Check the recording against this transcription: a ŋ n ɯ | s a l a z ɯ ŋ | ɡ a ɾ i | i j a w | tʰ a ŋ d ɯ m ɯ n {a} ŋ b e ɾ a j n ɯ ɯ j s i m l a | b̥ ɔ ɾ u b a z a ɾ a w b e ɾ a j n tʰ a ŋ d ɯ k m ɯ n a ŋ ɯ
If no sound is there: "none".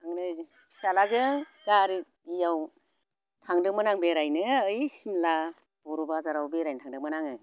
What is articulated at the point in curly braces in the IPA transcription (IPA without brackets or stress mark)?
a